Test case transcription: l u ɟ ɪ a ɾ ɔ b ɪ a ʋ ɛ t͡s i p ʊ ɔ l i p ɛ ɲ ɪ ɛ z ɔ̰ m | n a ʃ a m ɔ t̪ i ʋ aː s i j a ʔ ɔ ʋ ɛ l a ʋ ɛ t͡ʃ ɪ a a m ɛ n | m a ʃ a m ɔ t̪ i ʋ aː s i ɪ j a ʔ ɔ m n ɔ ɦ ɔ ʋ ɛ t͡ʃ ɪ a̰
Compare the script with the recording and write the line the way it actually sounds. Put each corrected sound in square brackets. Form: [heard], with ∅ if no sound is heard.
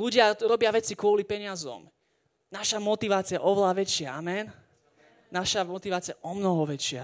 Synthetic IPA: l u ɟ ɪ a ɾ ɔ b ɪ a ʋ ɛ t͡s i [k] ʊ ɔ l i p ɛ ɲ ɪ [a] z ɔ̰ m | n a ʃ a m ɔ t̪ i ʋ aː [t͡s] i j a ʔ ɔ ʋ ɛ l a ʋ ɛ t͡ʃ ɪ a a m ɛ n | [n] a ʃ a m ɔ t̪ i ʋ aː [t͡s] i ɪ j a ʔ ɔ m n ɔ ɦ ɔ ʋ ɛ t͡ʃ ɪ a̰